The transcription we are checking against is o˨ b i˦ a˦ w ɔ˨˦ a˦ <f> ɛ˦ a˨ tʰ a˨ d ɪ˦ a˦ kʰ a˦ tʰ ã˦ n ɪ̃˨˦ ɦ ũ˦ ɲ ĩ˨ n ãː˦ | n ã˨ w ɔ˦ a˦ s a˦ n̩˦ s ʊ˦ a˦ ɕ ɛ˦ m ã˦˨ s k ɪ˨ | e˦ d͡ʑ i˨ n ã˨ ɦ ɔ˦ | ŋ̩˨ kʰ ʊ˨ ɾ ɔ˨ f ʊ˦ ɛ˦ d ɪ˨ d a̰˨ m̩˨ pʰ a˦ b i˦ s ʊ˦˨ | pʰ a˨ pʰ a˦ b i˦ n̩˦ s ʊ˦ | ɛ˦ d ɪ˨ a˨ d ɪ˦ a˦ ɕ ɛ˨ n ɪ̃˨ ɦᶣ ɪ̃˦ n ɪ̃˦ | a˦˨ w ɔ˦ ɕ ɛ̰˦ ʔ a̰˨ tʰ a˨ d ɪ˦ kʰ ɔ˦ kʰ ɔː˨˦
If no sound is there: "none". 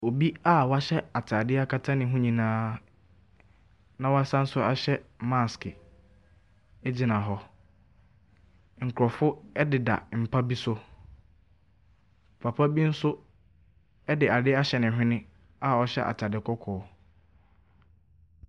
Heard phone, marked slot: ɕ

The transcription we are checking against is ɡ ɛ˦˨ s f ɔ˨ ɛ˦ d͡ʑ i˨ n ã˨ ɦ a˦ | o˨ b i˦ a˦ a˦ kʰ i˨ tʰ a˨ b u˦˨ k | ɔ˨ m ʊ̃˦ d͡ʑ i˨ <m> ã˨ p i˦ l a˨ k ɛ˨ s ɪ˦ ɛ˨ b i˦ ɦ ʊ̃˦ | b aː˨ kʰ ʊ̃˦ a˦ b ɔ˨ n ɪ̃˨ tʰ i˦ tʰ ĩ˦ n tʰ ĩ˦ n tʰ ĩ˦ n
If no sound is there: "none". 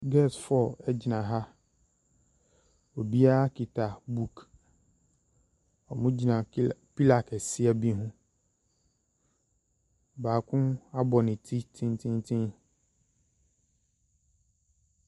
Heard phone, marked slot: n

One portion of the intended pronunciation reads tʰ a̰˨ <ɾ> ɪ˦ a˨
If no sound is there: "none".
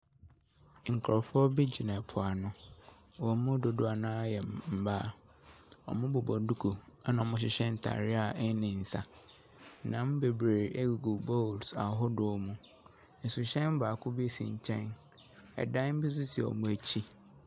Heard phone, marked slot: ɾ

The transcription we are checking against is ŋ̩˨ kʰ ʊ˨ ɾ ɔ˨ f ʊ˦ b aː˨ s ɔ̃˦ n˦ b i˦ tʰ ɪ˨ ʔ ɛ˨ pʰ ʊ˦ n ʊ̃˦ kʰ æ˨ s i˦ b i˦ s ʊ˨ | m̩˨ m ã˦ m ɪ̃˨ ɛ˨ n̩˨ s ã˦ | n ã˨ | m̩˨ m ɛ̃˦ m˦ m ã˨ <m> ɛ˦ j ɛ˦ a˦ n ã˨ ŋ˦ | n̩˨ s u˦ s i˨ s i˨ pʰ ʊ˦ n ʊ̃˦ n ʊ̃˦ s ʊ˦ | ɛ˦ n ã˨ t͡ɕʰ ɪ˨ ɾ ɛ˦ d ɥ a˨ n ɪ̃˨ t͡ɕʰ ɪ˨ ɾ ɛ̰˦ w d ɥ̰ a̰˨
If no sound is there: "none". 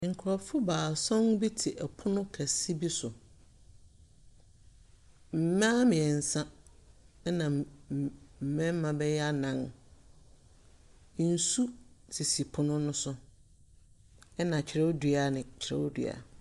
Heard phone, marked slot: b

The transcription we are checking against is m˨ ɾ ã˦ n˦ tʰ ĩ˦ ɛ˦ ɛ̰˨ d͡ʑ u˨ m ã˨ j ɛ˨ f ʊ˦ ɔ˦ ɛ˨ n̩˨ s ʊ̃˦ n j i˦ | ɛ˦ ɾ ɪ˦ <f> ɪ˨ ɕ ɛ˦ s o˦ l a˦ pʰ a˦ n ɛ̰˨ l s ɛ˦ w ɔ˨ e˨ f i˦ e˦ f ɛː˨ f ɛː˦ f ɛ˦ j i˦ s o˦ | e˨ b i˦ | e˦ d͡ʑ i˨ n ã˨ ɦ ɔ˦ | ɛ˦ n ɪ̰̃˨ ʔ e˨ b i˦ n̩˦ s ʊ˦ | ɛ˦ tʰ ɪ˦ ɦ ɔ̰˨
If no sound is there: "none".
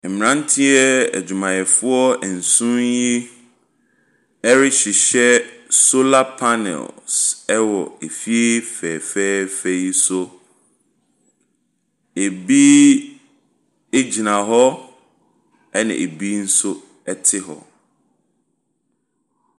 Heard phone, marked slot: ɕ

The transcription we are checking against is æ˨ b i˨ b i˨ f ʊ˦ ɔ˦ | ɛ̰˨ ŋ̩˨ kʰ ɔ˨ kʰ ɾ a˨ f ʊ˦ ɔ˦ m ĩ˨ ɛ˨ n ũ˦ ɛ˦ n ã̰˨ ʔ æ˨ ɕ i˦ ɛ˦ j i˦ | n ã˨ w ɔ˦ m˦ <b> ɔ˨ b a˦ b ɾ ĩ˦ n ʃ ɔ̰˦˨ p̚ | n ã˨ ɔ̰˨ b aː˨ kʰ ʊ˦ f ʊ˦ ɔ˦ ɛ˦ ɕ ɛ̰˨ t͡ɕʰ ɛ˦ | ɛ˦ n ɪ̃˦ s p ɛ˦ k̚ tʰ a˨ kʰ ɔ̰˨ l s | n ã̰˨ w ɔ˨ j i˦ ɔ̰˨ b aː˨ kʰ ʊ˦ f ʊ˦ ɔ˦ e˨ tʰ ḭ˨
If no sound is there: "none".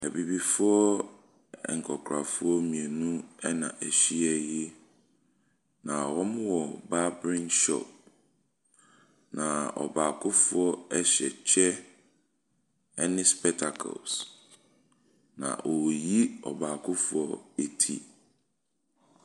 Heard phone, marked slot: w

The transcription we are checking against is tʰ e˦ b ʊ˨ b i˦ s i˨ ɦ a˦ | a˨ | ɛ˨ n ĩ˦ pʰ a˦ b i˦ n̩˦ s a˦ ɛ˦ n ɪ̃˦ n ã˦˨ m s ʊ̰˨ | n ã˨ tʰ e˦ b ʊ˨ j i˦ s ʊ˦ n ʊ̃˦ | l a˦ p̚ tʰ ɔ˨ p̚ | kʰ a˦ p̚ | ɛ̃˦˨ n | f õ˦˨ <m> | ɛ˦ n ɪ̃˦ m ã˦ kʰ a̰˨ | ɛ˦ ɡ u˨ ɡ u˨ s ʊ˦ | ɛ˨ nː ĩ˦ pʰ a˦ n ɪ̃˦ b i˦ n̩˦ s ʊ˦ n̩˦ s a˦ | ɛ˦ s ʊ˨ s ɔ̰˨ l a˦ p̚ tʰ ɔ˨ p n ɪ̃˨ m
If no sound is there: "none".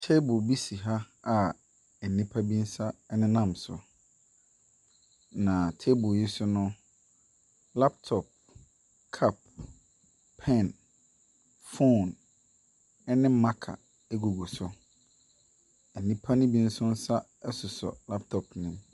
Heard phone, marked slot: n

